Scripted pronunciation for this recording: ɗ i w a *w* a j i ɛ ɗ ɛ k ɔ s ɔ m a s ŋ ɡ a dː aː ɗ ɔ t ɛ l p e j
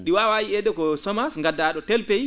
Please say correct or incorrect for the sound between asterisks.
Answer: correct